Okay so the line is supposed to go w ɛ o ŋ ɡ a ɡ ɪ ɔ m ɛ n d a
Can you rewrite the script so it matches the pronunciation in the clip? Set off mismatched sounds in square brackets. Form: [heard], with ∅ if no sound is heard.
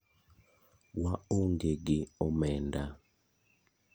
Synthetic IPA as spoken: w [a] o ŋ ɡ [e] ɡ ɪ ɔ m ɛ n d a